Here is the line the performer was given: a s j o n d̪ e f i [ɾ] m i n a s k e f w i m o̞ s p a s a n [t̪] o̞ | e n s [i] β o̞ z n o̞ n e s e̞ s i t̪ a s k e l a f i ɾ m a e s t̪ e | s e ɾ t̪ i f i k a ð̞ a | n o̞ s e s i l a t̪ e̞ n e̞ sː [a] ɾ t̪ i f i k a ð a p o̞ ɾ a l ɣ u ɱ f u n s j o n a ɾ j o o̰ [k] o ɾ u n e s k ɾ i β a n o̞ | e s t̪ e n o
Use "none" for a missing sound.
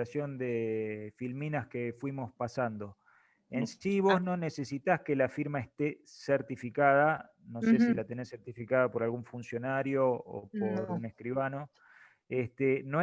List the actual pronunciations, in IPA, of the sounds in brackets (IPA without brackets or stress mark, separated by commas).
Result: l, d̪, i, e, p